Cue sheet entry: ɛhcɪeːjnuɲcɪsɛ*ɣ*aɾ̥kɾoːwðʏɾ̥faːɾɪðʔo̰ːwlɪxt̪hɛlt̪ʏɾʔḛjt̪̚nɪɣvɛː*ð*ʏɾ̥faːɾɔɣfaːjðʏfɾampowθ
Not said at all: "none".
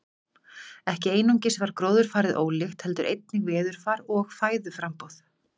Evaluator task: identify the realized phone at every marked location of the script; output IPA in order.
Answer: v, ð

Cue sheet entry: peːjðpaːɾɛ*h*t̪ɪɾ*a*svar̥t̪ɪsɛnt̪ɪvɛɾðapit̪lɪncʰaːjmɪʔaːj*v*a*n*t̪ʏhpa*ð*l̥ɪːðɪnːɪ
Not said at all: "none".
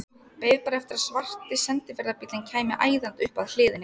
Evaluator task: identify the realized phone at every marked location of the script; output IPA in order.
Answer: f, a, ð, n, ð

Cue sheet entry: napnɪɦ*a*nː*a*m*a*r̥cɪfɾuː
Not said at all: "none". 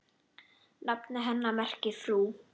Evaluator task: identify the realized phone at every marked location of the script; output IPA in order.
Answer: ɛ, a, ɛ

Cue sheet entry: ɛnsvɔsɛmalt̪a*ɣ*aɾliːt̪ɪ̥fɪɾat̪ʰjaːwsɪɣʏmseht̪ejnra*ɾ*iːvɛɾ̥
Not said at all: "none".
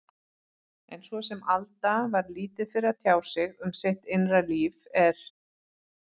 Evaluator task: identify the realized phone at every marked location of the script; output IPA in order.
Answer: v, l

